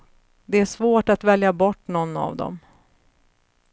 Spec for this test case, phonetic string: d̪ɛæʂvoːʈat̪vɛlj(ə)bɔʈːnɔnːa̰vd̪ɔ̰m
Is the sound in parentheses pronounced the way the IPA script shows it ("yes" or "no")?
no